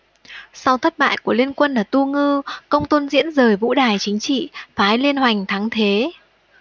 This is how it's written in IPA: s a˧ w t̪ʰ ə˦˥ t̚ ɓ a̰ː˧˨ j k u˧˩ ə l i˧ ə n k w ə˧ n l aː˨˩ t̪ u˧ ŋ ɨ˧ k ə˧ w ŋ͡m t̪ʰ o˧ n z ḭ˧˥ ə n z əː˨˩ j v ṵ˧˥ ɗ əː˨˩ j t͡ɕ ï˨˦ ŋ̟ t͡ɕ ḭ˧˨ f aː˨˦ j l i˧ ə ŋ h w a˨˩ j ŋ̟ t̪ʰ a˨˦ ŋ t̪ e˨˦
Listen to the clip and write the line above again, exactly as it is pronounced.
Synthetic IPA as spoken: s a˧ w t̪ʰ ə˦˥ t̚ ɓ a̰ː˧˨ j k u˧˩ ə l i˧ ə n k w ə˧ n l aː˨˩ t̪ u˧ ŋ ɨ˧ k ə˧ w ŋ͡m t̪ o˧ n z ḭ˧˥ ə n z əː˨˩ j v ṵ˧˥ ɗ aː˨˩ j t͡ɕ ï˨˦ ŋ̟ t͡ɕ ḭ˧˨ f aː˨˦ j l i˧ ə n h w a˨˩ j ŋ̟ t̪ʰ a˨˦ ŋ t̪ʰ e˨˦